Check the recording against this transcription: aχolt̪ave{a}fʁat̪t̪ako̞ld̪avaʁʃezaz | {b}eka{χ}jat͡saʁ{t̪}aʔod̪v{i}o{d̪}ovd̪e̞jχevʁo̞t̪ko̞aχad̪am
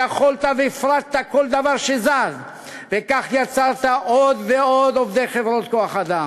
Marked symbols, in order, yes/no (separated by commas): no, no, yes, yes, no, yes